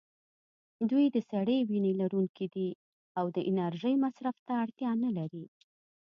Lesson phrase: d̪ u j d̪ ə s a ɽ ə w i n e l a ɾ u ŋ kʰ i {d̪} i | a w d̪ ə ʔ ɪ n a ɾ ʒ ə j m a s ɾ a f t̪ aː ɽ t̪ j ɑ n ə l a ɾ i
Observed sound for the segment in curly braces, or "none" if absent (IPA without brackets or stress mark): d̪